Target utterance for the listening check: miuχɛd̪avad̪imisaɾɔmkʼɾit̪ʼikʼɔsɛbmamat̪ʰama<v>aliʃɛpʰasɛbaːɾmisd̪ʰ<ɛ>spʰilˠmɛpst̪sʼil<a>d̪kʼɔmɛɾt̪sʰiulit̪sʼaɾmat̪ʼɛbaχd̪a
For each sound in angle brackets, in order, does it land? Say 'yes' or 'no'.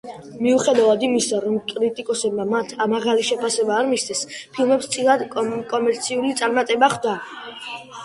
no, yes, yes

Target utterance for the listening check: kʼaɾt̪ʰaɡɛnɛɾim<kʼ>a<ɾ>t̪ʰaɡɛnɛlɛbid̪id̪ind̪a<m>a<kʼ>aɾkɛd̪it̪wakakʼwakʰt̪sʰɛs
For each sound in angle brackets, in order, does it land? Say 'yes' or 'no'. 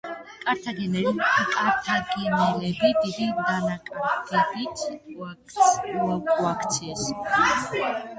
yes, yes, no, yes

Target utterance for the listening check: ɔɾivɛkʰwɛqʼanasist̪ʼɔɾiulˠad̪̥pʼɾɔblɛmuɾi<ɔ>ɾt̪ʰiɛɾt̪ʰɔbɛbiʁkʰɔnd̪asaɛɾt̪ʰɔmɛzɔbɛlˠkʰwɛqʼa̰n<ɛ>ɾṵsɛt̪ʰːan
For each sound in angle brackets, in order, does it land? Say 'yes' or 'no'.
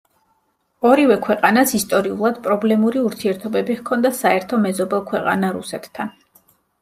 no, no

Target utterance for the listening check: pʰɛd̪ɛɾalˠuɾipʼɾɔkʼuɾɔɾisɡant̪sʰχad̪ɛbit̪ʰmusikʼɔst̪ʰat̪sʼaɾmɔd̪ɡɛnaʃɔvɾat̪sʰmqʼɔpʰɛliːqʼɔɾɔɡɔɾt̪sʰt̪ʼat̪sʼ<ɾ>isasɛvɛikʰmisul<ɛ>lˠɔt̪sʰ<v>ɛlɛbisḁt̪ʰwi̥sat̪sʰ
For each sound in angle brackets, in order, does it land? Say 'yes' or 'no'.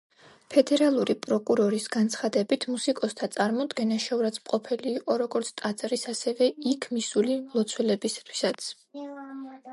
yes, no, no

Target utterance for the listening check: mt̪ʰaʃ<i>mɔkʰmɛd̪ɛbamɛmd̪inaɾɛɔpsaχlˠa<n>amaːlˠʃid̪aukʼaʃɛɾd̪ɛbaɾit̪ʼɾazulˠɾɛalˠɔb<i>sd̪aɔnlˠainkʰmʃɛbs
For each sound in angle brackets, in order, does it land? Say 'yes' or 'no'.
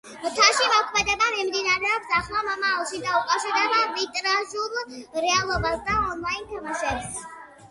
yes, no, no

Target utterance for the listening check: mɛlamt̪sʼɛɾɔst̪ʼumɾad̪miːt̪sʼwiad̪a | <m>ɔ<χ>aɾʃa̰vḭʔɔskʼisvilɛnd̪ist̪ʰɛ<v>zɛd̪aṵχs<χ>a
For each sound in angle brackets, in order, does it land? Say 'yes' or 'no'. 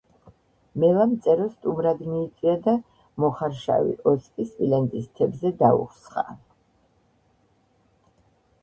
yes, yes, no, yes

